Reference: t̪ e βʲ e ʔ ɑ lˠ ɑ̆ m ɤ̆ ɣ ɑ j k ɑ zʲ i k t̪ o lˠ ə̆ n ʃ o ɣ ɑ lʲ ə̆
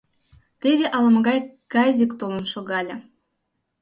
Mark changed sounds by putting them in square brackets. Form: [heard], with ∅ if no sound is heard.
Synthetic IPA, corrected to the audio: t̪ e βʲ e ʔ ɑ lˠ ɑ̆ m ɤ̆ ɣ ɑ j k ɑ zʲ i k t̪ o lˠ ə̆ n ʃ o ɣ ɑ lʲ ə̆